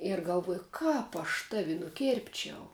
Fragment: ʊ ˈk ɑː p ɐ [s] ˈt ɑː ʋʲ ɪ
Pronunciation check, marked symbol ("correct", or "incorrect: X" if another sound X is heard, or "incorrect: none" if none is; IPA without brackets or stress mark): incorrect: ʃ